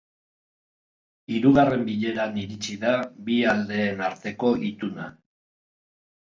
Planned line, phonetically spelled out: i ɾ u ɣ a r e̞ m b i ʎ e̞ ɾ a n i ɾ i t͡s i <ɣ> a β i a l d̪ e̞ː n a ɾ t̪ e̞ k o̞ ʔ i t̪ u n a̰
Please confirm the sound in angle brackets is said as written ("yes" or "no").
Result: no